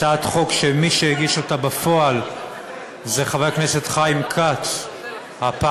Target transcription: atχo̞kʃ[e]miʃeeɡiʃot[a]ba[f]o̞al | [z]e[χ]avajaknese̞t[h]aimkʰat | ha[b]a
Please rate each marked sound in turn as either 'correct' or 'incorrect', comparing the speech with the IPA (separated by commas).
correct, correct, correct, correct, correct, incorrect, incorrect